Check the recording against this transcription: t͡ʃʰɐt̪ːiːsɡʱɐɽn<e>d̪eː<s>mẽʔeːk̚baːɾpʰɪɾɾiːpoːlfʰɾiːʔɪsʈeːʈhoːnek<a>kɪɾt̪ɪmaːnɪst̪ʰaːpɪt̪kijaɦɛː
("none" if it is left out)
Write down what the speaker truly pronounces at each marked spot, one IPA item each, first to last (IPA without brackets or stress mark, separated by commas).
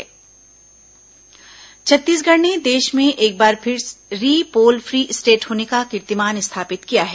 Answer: e, ʃ, a